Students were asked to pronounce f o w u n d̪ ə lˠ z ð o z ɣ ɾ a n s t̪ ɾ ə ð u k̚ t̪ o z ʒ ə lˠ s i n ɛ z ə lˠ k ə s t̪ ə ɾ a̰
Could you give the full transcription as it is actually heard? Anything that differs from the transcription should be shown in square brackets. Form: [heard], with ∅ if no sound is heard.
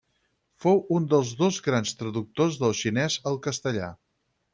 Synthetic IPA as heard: f o w u n d̪ ə lˠ z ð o z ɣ ɾ a n s t̪ ɾ ə ð u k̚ t̪ o z [ð] ə lˠ [ʃ] i n ɛ z ə lˠ k ə s t̪ ə [ʎ] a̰